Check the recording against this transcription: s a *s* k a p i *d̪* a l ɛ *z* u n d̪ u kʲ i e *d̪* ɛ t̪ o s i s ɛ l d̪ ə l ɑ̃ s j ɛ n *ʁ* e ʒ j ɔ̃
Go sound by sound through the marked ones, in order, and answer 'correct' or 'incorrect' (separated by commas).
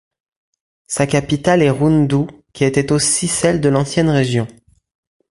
incorrect, incorrect, incorrect, incorrect, correct